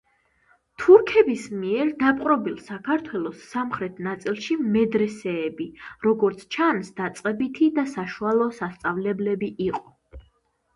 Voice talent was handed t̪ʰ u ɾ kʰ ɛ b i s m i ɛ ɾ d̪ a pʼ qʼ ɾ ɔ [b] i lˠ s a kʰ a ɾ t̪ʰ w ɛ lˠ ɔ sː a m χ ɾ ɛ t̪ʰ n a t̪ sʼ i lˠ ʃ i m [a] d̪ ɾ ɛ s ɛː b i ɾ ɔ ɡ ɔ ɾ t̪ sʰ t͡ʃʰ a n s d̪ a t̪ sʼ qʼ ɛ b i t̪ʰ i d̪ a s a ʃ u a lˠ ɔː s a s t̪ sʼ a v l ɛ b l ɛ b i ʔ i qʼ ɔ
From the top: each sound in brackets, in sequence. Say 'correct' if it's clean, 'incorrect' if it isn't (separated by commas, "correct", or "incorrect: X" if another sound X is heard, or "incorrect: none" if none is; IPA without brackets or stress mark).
correct, incorrect: ɛ